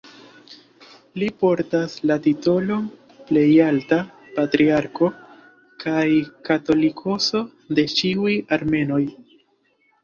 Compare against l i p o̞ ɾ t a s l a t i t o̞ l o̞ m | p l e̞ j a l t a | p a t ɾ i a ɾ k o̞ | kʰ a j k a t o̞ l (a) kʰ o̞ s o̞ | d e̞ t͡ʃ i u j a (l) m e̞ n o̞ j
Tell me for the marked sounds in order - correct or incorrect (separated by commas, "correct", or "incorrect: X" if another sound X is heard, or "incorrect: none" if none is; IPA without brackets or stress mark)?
incorrect: i, incorrect: ɾ